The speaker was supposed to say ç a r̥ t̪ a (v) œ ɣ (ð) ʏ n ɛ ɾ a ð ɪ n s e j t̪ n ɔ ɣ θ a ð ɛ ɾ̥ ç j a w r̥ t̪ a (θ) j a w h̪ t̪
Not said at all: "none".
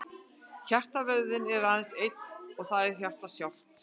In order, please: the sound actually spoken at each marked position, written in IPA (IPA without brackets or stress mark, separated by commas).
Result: v, ð, s